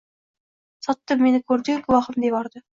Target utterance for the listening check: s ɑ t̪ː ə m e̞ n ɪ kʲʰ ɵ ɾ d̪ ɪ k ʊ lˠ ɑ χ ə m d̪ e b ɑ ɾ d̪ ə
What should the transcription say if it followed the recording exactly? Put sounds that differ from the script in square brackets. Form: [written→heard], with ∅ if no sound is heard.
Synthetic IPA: s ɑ t̪ː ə m e̞ n ɪ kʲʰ ɵ ɾ d̪ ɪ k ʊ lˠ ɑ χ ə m d̪ e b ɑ ɾ d̪ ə